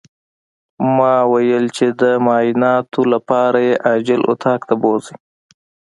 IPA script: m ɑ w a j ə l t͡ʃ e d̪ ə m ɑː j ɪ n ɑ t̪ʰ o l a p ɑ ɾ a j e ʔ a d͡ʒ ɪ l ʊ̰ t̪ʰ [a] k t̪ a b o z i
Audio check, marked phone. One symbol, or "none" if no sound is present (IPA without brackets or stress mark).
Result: ɑ